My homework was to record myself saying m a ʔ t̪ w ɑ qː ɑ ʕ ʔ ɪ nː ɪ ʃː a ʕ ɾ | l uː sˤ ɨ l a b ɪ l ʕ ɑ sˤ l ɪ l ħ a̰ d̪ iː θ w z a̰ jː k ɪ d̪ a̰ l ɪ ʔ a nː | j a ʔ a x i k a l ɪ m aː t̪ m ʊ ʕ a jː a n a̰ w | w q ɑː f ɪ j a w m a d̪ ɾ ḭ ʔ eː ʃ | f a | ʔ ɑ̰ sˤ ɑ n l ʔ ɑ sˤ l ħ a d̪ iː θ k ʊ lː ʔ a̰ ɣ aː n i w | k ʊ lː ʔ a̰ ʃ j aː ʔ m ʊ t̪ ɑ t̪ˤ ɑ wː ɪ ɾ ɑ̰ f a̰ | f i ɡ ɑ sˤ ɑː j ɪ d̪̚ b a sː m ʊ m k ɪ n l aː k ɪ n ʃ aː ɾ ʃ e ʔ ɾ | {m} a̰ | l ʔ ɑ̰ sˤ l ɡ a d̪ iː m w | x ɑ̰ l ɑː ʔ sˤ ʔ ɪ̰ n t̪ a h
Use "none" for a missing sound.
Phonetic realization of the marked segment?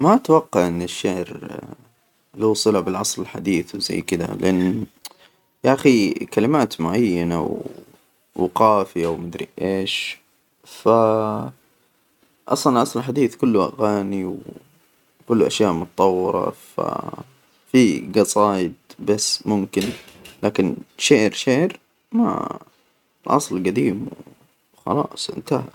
m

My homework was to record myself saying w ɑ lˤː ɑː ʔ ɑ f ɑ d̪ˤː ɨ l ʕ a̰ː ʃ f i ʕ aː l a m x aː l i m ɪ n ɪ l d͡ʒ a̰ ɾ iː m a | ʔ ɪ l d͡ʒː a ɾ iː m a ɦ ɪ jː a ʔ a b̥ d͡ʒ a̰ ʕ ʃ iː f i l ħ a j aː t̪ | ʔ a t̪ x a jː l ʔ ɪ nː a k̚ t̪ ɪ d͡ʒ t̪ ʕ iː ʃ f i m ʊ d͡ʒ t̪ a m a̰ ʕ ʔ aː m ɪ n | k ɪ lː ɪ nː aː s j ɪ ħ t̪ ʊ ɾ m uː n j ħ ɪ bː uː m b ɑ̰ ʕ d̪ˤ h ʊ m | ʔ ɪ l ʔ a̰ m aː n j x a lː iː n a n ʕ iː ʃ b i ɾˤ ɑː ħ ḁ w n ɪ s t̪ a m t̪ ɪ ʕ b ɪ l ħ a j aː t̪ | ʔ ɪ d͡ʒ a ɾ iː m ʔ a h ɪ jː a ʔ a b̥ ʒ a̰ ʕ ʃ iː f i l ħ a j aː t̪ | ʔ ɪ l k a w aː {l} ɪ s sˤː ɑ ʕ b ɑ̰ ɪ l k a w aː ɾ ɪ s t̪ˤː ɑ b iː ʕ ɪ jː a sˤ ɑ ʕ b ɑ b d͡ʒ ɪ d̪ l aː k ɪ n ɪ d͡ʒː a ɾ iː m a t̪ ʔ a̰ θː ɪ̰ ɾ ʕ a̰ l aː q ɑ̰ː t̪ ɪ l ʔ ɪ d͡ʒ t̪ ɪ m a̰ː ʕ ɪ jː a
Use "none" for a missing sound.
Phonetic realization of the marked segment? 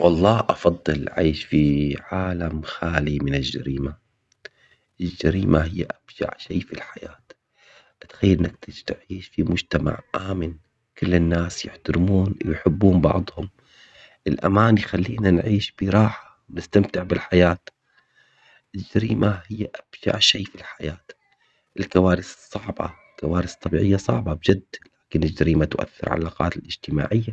ɾ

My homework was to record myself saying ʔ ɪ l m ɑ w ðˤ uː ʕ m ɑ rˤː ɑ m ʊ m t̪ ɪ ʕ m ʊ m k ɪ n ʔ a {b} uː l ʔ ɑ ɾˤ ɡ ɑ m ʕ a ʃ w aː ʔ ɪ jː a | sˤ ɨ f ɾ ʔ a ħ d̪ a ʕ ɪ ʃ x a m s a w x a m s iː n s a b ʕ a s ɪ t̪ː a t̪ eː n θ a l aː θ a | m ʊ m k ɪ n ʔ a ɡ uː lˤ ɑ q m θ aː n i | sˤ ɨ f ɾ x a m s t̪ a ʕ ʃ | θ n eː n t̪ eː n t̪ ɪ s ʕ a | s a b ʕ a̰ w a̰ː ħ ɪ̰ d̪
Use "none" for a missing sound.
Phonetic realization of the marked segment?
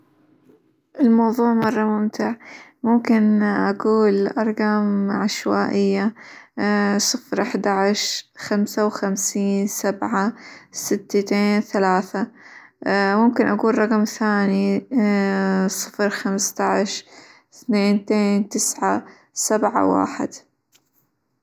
ɡ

